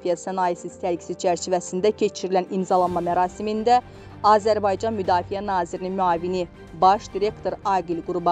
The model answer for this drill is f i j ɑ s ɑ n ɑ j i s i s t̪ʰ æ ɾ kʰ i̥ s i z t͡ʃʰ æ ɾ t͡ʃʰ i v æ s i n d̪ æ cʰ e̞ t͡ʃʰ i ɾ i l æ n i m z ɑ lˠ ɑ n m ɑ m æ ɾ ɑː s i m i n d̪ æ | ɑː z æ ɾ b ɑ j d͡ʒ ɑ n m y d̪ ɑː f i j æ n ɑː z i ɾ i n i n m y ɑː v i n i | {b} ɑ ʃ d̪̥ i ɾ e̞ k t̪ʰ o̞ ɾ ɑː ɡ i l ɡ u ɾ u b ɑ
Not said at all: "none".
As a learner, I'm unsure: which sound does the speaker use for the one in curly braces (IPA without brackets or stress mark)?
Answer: b